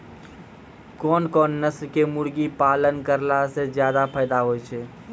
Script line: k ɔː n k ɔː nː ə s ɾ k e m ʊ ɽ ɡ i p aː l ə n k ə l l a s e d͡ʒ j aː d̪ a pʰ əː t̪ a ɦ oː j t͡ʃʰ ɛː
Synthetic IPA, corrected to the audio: k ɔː n k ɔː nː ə s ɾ k e m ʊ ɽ ɡ i p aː l ə n k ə ɾ l a s e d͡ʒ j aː d̪ a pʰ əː d̪ a ɦ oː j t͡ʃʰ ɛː